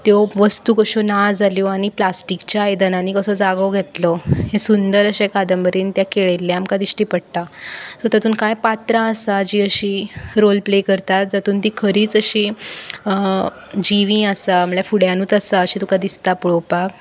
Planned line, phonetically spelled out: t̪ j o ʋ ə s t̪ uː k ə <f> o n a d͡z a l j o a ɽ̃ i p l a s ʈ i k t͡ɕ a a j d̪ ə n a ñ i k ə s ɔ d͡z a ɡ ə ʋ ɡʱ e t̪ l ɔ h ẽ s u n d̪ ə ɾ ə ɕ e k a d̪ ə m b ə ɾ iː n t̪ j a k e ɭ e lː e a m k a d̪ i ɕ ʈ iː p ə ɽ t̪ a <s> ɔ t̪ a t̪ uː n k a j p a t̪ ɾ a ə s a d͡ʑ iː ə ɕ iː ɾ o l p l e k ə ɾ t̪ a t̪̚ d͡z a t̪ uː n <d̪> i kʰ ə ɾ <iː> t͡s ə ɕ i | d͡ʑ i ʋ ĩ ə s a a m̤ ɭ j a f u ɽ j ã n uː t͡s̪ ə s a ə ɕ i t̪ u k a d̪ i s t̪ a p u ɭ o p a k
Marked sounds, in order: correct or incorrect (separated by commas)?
incorrect, correct, incorrect, correct